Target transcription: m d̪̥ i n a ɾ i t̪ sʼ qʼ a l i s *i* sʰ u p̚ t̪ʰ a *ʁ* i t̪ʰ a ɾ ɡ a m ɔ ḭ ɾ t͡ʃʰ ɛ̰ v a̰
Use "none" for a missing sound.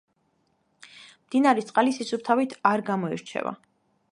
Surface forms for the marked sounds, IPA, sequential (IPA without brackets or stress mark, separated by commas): i, v